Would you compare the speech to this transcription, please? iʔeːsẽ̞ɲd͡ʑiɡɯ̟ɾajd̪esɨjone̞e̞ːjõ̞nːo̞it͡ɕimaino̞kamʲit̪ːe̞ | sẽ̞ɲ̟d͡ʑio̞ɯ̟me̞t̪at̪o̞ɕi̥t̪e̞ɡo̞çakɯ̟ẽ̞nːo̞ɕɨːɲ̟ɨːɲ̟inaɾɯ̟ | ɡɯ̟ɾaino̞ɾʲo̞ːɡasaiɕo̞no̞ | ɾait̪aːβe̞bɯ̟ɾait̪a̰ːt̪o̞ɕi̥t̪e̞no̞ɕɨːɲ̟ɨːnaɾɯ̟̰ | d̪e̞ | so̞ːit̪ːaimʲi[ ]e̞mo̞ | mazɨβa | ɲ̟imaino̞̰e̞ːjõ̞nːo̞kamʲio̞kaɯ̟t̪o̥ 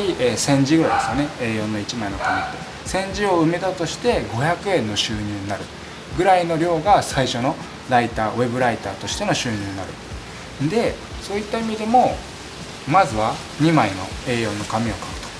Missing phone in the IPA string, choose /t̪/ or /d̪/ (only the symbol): d̪